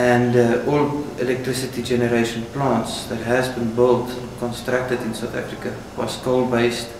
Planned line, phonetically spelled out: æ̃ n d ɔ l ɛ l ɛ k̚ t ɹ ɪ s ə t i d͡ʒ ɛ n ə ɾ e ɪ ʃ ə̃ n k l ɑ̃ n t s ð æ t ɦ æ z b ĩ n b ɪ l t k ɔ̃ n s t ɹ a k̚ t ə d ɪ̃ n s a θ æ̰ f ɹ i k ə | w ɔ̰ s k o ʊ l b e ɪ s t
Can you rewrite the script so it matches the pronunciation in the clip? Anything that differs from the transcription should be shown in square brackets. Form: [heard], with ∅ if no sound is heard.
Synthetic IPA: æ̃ n d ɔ l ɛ l ɛ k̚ t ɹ ɪ s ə t i d͡ʒ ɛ n ə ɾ e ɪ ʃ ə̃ n [p] l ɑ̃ n t s ð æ t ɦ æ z b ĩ n b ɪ l t k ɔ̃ n s t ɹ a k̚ t ə d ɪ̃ n s a θ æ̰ f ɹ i k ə | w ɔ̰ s k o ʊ l b e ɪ s t